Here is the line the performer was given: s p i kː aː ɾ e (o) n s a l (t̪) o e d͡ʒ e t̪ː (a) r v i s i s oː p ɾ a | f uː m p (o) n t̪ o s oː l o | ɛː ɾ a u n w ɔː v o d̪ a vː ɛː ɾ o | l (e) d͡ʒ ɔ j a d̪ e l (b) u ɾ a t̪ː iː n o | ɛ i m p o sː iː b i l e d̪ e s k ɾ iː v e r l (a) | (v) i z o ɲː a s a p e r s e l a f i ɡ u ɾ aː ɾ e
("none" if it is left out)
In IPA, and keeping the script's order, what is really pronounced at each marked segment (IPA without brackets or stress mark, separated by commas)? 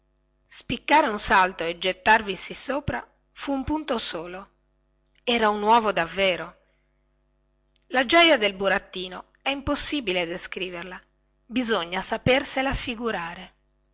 u, t̪, a, u, a, b, a, b